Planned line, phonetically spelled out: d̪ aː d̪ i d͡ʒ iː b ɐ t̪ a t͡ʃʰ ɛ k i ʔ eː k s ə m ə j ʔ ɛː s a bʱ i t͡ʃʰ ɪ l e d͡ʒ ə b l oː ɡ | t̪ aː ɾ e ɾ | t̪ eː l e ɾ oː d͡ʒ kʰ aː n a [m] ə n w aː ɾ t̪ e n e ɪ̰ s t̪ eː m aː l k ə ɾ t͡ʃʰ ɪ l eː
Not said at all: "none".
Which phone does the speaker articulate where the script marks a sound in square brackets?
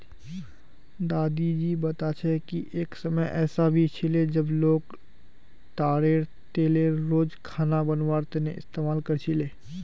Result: b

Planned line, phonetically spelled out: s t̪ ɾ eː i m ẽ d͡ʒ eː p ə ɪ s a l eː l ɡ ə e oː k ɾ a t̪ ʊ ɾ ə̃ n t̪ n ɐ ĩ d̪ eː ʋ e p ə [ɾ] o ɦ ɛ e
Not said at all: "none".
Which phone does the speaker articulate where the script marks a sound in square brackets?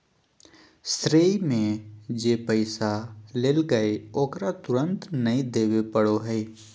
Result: ɽ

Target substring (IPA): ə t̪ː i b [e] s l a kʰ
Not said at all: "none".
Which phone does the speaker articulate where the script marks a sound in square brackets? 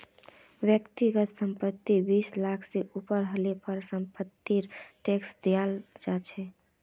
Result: i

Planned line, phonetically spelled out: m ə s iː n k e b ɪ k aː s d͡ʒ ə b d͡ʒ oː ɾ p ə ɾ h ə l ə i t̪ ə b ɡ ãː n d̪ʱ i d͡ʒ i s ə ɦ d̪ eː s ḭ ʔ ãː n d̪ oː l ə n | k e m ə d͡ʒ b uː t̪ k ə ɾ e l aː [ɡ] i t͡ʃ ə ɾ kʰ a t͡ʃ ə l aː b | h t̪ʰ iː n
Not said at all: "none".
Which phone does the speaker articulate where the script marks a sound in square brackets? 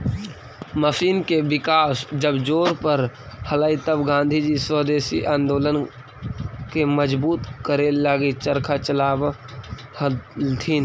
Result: ɡ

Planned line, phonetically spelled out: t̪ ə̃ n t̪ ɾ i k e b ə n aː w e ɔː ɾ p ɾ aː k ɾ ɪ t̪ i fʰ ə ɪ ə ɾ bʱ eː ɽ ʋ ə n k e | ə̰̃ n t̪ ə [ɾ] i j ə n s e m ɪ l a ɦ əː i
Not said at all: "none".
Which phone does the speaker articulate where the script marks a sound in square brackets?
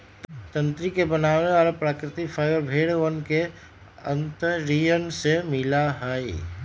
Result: ɾ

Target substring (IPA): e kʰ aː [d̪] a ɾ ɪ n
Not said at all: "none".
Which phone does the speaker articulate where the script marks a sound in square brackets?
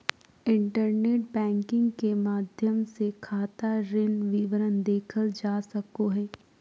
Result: t̪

